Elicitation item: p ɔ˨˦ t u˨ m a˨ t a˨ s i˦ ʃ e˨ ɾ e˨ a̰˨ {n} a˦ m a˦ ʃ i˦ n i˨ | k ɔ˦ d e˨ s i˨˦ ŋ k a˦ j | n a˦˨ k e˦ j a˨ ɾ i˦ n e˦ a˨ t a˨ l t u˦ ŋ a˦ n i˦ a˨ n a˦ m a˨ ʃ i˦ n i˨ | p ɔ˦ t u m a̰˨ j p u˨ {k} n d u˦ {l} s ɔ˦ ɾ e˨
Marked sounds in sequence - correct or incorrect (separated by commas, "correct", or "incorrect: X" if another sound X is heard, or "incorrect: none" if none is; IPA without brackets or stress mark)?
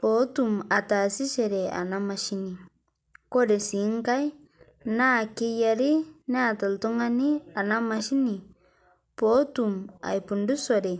correct, incorrect: none, incorrect: none